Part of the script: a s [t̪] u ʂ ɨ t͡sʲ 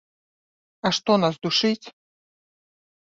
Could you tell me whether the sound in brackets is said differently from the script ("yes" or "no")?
yes